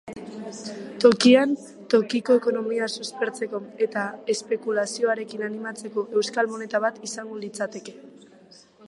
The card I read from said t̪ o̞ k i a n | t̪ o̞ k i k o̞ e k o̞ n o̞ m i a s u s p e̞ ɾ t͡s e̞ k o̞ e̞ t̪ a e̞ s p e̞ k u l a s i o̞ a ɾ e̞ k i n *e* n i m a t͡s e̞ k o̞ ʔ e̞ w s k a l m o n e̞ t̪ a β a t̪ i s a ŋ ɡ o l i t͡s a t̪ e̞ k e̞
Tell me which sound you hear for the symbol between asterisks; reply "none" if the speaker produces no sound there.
a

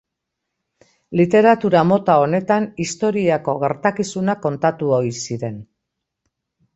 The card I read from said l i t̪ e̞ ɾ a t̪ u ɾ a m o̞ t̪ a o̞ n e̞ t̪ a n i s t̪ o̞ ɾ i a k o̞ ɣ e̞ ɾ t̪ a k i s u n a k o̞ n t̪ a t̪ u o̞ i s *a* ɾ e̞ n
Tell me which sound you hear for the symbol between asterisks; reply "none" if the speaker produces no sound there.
i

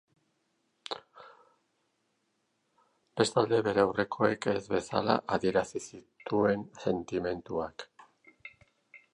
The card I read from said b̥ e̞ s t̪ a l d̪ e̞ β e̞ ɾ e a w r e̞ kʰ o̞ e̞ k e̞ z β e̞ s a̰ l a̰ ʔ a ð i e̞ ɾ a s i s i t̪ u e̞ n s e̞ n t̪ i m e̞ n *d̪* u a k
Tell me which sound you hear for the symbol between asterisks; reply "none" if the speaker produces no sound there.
t̪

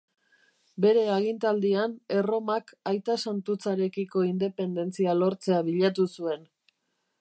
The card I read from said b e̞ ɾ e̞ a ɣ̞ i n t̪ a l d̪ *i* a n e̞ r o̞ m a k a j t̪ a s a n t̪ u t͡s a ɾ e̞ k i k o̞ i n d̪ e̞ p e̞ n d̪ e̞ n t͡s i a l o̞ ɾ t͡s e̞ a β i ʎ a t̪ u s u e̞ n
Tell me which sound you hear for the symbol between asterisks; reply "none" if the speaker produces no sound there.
i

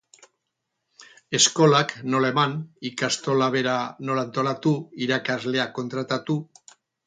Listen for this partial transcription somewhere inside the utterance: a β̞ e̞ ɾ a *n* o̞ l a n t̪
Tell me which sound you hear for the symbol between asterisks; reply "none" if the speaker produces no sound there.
n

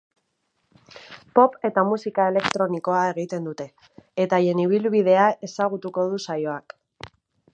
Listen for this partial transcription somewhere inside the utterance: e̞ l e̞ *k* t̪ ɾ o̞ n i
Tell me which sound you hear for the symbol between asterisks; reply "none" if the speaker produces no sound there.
k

